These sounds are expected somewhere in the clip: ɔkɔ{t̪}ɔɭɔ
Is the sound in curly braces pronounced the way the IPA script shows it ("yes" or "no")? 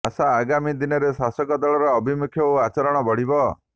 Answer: no